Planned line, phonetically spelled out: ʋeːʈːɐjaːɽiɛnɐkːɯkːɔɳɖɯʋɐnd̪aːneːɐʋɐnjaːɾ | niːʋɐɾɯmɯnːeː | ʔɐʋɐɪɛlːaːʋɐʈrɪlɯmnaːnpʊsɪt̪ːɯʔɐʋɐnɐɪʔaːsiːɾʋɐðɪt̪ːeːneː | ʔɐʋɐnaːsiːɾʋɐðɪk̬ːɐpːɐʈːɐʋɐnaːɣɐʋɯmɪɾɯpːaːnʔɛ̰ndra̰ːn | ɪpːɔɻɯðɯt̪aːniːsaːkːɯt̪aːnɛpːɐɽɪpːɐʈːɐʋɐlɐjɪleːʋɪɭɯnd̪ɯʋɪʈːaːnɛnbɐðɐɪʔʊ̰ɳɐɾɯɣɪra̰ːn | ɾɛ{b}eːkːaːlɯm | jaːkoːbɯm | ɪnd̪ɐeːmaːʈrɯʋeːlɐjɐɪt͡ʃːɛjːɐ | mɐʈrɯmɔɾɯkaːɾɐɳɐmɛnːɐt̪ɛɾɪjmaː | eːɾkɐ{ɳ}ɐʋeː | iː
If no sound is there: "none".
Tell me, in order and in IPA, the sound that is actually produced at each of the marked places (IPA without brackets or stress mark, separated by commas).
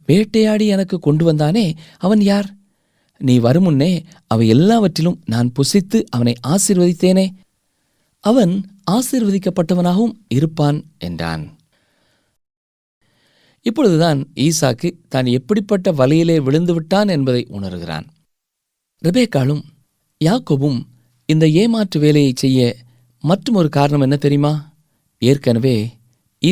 b, n